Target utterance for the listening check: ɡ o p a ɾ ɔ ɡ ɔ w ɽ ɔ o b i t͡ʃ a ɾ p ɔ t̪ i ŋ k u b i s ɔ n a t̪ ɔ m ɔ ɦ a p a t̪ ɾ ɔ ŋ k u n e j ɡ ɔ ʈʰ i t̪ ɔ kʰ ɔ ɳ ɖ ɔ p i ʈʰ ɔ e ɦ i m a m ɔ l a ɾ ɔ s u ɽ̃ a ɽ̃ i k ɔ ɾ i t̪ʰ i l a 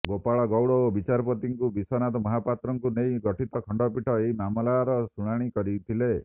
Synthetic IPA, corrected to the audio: ɡ o p a ɭ ɔ ɡ ɔ w ɽ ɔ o b i t͡ʃ a ɾ p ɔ t̪ i ŋ k u b i s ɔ n a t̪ ɔ m ɔ ɦ a p a t̪ ɾ ɔ ŋ k u n e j ɡ ɔ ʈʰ i t̪ ɔ kʰ ɔ ɳ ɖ ɔ p i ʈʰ ɔ e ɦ i m a m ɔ l a ɾ ɔ s u ɽ̃ a ɽ̃ i k ɔ ɾ i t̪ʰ i l e